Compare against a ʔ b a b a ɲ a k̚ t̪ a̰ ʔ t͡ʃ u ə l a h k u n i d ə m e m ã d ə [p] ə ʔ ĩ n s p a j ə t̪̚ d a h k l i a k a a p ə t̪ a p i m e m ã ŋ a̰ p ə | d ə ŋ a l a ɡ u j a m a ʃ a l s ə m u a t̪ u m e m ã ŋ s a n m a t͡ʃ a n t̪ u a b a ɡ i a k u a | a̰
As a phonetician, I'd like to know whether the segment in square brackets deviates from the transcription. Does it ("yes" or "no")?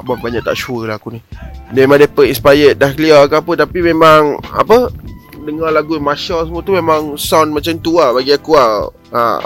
no